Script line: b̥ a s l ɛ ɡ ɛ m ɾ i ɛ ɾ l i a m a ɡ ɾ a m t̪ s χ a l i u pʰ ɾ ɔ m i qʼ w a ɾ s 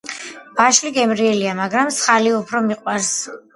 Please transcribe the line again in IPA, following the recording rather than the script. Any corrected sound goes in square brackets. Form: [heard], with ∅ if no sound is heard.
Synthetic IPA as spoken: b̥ a [ʃ] l [i] ɡ ɛ m ɾ i ɛ [∅] l i a m a ɡ ɾ a m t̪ s χ a l i u pʰ ɾ ɔ m i qʼ w a ɾ s